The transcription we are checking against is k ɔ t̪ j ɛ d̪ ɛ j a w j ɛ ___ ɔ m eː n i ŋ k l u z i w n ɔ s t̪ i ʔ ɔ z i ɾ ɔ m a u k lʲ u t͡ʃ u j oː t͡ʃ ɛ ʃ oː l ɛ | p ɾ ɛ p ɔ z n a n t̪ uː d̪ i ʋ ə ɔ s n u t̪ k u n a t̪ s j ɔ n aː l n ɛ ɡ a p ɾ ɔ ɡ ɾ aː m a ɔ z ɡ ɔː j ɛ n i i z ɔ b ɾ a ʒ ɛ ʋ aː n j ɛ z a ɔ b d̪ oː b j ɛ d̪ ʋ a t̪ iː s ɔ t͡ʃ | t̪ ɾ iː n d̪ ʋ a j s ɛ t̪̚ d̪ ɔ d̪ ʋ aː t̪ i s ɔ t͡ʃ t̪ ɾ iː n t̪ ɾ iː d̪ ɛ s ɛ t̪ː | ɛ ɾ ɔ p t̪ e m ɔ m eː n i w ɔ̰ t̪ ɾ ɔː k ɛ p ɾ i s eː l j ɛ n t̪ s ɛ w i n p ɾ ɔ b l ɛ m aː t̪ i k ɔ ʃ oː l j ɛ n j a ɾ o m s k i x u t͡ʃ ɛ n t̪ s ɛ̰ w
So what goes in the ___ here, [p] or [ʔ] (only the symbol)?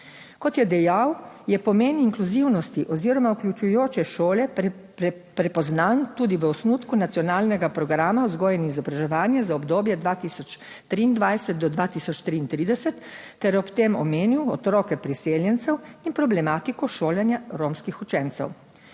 p